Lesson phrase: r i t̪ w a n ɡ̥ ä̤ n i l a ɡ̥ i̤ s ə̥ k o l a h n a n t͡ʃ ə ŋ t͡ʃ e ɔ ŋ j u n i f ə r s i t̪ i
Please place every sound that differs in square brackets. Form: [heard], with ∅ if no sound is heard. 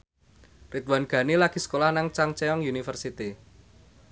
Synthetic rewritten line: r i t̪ w a n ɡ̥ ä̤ n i l a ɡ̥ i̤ s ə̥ k o l a h n a [ŋ] t͡ʃ [a] ŋ t͡ʃ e ɔ ŋ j u n i f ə r s i t̪ i